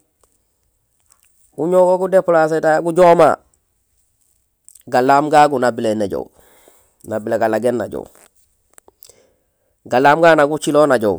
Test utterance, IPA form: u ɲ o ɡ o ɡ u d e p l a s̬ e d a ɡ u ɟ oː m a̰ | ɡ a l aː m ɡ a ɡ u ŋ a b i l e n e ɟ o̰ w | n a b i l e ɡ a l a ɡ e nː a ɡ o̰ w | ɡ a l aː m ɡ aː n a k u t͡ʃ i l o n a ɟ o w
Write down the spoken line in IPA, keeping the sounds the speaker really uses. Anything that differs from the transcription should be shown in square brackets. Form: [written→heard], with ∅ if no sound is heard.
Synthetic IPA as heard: u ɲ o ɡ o ɡ u d e p l a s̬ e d a ɡ u ɟ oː m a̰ | ɡ a l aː m ɡ a ɡ u [ŋ→n] a b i l e n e ɟ o̰ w | n a b i l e ɡ a l a ɡ e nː a [ɡ→ɟ] o̰ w | ɡ a l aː m ɡ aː n a [k→ɡ] u t͡ʃ i l o n a ɟ o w